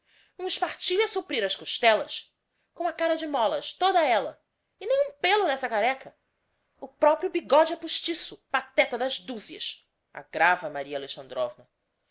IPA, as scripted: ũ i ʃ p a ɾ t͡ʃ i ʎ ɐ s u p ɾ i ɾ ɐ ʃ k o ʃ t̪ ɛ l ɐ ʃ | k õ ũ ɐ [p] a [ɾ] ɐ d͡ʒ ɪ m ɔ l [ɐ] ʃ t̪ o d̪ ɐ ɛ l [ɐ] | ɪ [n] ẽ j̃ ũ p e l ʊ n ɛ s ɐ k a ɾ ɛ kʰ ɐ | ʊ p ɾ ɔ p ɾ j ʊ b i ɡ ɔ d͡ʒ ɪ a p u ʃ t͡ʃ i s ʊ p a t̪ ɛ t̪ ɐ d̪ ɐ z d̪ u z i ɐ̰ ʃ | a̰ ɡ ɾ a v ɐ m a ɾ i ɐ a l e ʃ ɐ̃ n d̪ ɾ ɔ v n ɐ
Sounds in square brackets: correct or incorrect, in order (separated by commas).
incorrect, correct, correct, correct, correct